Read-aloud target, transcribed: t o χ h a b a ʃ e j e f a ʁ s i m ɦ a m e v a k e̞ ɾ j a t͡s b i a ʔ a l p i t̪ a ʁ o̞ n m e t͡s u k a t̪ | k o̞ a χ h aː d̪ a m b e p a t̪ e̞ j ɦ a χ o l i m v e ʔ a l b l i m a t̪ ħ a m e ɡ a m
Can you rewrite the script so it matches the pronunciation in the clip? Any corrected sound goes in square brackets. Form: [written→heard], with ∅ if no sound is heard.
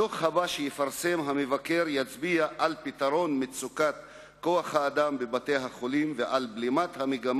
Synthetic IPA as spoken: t o χ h a b a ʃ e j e f a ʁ s [i→e] m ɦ a m e v a k e̞ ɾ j a t͡s b i a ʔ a l p i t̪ a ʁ o̞ n m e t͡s u k a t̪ | k o̞ a χ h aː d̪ a m b e [p→b] a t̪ e̞ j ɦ a χ o l i m v e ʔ a l b l i m a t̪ [ħ→h] a m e ɡ a m